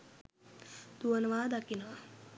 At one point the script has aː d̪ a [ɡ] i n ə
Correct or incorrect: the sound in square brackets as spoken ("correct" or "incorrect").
incorrect